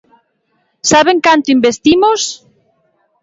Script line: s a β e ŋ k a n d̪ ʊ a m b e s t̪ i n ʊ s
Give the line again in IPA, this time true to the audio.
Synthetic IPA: s a β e ŋ k a n t̪ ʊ i m b e s t̪ i m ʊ s